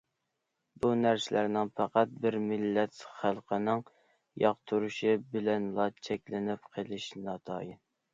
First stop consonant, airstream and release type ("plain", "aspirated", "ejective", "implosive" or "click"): plain